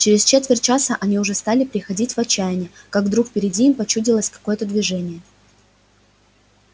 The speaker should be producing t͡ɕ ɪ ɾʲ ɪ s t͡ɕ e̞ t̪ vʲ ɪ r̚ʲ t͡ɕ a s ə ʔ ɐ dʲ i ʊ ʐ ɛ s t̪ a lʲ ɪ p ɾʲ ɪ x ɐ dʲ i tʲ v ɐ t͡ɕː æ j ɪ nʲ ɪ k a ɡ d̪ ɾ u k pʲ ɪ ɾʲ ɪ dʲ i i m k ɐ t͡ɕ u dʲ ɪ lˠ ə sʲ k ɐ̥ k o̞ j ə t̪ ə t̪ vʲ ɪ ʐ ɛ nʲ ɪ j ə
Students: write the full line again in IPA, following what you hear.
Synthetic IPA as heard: t͡ɕ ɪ ɾʲ ɪ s t͡ɕ e̞ t̪ vʲ ɪ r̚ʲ t͡ɕ a s ə ʔ ɐ nʲ i ʊ ʐ ɛ s t̪ a lʲ ɪ p ɾʲ ɪ x ɐ dʲ i tʲ v ɐ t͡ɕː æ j ɪ nʲ ɪ k a ɡ d̪ ɾ u k pʲ ɪ ɾʲ ɪ dʲ i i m p ɐ t͡ɕ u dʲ ɪ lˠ ə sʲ k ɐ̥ k o̞ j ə t̪ ə d̪ vʲ ɪ ʐ ɛ nʲ ɪ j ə